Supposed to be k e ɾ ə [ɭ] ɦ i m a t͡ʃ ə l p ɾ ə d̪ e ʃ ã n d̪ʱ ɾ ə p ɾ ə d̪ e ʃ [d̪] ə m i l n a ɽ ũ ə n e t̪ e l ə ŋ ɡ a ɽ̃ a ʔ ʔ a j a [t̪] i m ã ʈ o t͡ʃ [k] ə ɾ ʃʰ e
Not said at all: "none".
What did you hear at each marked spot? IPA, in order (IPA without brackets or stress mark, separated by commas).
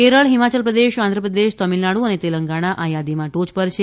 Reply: ɭ, t̪, d̪, p